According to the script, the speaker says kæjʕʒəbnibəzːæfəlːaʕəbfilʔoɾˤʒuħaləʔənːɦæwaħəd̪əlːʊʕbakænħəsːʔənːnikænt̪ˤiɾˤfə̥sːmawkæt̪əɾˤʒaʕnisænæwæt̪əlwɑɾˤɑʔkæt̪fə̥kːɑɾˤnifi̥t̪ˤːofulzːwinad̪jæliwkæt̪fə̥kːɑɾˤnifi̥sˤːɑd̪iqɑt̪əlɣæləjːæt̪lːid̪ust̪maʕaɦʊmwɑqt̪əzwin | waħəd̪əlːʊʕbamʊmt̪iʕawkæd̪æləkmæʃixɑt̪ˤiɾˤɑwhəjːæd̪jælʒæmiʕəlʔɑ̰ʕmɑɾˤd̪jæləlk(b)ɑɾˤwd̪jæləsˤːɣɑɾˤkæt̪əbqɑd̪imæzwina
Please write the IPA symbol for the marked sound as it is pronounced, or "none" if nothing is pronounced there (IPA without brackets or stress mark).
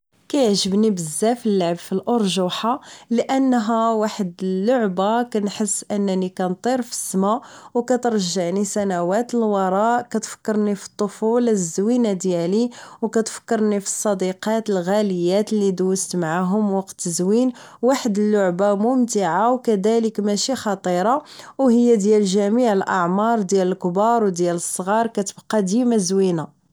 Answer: b